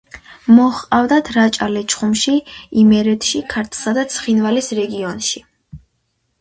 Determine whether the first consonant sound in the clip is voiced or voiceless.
voiced